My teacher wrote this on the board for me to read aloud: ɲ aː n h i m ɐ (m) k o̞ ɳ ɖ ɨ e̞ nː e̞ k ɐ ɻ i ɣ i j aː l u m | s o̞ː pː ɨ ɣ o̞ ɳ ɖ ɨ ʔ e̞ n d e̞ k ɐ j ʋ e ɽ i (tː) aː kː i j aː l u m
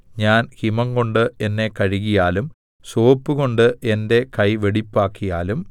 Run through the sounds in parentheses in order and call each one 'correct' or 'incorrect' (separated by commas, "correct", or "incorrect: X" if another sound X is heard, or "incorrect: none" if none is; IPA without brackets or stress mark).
incorrect: ŋ, incorrect: pː